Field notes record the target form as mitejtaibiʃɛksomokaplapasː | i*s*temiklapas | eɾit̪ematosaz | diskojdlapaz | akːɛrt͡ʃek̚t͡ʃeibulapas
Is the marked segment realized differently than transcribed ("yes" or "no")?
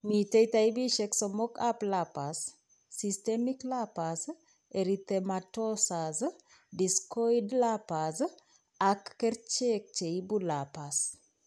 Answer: no